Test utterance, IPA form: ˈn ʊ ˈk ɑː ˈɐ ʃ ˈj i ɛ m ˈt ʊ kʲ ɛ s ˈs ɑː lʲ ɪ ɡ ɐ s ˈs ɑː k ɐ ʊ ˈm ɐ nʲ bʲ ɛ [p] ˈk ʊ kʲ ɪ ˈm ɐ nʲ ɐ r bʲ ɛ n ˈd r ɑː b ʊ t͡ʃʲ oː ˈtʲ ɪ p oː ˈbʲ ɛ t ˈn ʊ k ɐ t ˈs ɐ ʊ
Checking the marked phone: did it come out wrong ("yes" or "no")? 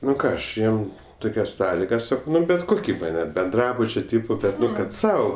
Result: yes